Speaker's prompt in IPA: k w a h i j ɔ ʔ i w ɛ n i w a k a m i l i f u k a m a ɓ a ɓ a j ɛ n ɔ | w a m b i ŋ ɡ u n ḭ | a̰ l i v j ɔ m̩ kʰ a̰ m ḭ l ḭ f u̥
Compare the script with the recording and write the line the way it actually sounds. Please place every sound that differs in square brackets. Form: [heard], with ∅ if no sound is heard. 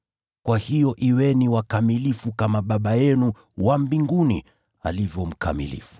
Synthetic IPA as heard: k w a h i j ɔ ʔ i w ɛ n i w a k a m i l i f u k a m a ɓ a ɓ a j ɛ n [u] | w a m b i ŋ ɡ u n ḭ | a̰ l i v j ɔ m̩ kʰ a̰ m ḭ l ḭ f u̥